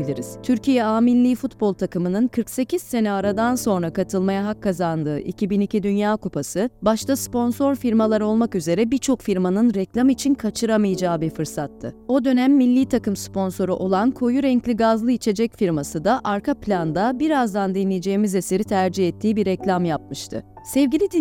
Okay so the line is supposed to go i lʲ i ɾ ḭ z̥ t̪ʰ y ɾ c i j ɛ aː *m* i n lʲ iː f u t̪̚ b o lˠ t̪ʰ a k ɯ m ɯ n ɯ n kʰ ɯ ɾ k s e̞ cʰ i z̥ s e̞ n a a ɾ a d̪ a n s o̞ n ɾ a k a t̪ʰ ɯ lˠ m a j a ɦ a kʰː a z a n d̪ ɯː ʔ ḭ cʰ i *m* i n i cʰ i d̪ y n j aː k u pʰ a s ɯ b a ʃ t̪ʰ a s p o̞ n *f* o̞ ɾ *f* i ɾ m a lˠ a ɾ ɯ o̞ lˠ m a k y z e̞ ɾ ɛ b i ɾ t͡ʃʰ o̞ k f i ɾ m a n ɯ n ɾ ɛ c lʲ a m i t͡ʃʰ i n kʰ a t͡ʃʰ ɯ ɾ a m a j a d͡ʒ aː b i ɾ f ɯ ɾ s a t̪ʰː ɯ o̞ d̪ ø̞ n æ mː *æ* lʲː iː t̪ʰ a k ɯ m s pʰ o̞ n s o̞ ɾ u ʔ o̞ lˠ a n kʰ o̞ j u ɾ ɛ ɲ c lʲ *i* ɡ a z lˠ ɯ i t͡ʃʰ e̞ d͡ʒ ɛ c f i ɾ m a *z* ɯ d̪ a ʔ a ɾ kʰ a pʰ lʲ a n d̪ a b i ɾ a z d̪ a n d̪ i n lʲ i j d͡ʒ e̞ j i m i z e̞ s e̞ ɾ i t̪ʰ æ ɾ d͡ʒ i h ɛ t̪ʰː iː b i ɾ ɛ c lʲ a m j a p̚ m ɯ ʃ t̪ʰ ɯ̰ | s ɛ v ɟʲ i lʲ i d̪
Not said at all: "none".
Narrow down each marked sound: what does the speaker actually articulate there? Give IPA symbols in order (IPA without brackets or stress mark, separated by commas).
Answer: m, b, s, f, i, i, s